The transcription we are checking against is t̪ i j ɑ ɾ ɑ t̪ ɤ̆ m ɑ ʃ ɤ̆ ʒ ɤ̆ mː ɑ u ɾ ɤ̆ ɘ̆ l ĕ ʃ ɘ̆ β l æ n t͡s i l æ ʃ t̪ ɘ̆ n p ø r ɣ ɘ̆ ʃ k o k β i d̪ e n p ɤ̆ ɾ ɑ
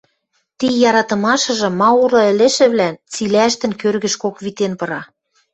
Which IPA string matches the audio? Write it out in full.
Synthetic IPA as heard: t̪ i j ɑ ɾ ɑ t̪ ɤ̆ m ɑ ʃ ɤ̆ ʒ ɤ̆ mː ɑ u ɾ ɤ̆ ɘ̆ l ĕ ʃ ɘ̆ β l æ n t͡s i l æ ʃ t̪ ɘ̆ n k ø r ɣ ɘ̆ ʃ k o k β i t̪ e n p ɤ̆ ɾ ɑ